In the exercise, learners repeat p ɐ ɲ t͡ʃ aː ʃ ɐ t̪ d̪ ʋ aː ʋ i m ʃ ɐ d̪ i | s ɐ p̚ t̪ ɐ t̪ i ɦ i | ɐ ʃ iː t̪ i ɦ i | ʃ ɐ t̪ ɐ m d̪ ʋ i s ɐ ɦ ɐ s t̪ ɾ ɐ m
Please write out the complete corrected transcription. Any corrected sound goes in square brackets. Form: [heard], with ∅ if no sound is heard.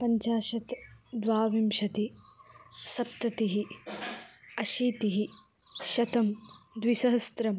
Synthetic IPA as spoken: p ɐ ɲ t͡ʃ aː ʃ ɐ t̪ d̪ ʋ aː ʋ i m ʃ ɐ [t̪] i | s ɐ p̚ t̪ ɐ t̪ i ɦ i | ɐ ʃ iː t̪ i ɦ i | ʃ ɐ t̪ ɐ m d̪ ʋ i s ɐ ɦ ɐ s t̪ ɾ ɐ m